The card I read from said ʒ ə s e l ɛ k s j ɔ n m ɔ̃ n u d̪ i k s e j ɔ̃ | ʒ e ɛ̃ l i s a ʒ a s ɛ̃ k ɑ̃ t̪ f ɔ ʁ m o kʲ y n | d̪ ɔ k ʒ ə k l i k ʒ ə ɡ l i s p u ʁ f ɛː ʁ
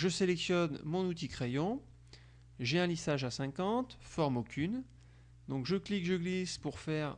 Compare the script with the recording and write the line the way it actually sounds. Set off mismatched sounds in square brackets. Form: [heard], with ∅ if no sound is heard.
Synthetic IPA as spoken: ʒ ə s e l ɛ k s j ɔ n m ɔ̃ n u [t̪] i k [χ] e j ɔ̃ | ʒ e ɛ̃ l i s a ʒ a s ɛ̃ k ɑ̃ t̪ f ɔ ʁ m o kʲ y n | d̪ [ɔ̃] k ʒ ə k l i k ʒ ə ɡ l i s p u ʁ f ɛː ʁ